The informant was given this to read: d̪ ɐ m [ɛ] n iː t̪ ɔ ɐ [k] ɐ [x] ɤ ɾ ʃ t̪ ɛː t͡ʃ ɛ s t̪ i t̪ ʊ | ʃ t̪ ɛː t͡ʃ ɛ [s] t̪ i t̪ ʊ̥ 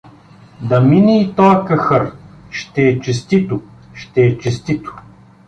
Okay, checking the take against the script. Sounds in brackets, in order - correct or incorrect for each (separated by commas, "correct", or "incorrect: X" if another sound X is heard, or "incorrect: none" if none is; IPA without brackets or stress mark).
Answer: incorrect: i, correct, correct, correct